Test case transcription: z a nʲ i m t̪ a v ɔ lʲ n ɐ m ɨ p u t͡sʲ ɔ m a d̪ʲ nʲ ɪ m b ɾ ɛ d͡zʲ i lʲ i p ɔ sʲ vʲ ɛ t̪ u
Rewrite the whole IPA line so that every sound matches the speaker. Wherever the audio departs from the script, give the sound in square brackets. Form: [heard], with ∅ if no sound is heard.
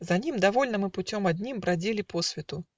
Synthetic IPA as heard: z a nʲ i m [d̪] a v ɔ lʲ n ɐ m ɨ p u t͡sʲ ɔ m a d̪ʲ nʲ [i] m b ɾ [a] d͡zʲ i lʲ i p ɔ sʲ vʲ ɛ t̪ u